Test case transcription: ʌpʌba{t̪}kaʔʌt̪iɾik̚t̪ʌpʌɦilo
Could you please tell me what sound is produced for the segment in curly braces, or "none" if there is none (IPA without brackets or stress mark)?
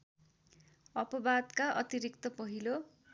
d̪